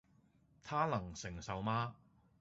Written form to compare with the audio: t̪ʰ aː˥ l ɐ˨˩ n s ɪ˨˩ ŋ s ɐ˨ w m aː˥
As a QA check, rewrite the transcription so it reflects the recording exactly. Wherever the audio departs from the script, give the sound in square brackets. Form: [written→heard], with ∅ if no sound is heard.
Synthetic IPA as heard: t̪ʰ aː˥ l ɐ˨˩ [n→ŋ] s ɪ˨˩ ŋ s ɐ˨ w m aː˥